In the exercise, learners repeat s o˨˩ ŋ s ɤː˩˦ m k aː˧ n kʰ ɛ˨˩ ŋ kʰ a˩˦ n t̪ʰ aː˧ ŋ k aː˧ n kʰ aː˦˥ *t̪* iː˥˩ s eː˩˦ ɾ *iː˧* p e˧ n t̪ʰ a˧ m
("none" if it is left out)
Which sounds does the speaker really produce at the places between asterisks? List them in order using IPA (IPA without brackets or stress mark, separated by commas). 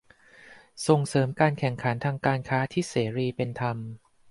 t̪ʰ, iː˧